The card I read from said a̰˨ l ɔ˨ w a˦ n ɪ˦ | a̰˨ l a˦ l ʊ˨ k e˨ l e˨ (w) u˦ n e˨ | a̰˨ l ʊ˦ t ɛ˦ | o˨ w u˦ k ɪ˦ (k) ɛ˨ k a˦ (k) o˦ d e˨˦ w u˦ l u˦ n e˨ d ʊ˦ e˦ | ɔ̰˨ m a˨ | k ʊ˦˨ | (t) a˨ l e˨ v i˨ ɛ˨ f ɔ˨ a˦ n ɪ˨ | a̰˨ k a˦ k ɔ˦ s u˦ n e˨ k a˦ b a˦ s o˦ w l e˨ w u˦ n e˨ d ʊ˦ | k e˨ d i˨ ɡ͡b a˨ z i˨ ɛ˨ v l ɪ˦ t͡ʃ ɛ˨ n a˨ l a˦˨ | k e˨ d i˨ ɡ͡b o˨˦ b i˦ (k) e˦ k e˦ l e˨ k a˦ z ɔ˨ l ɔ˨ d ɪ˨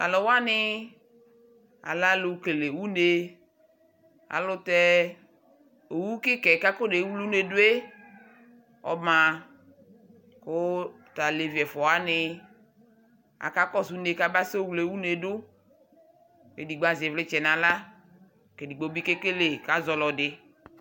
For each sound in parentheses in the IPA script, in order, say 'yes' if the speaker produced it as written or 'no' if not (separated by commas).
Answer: yes, yes, yes, yes, yes